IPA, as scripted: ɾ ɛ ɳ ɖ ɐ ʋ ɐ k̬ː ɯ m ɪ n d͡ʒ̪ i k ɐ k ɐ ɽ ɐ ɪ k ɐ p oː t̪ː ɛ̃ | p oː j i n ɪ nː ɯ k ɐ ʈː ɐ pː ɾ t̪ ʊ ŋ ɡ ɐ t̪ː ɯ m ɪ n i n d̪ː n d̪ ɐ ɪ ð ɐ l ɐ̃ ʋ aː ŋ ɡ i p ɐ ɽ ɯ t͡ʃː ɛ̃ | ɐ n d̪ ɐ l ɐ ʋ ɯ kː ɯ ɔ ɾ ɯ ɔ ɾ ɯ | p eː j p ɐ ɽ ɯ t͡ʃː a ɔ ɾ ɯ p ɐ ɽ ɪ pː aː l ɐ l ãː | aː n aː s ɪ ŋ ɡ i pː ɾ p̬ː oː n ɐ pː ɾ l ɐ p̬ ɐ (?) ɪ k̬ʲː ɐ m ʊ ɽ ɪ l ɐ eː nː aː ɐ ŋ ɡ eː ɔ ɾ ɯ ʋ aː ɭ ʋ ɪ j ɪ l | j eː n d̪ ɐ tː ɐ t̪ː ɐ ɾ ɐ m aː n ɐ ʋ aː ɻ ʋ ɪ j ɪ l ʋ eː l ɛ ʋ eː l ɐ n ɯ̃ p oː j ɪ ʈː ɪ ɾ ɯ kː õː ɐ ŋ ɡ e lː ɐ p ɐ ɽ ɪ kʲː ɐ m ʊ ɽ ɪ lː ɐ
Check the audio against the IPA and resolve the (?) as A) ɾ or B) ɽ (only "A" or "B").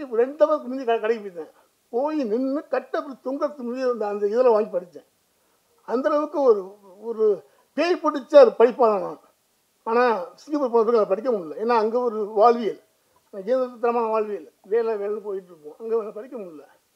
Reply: B